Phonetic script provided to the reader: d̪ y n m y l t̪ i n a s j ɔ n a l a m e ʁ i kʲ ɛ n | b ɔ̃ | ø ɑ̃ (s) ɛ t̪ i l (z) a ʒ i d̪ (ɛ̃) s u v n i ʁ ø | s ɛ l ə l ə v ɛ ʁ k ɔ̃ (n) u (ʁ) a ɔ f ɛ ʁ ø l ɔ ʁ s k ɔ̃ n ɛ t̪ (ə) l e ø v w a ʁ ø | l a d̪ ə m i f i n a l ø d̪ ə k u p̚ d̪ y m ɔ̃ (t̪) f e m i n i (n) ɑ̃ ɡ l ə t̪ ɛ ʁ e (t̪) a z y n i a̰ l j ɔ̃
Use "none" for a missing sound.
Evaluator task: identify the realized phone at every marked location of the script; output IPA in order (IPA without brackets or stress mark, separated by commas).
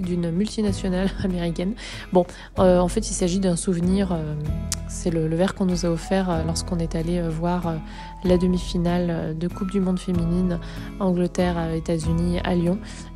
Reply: f, s, ɛ̃, n, z, a, d̪, n, t̪